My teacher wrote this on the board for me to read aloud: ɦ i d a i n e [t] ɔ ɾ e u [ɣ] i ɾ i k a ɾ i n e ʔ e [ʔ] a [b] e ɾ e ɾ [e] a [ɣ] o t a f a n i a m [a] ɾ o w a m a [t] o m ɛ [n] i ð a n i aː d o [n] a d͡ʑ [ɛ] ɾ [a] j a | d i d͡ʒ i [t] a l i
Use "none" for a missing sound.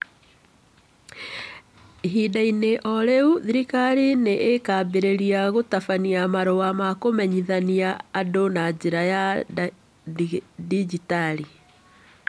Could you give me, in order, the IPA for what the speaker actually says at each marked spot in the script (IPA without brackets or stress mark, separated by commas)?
ʔ, ð, k, b, i, ɣ, a, k, ɲ, n, e, a, t